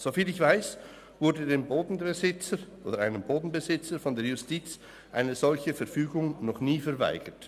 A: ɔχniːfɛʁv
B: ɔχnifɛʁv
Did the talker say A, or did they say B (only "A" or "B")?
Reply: A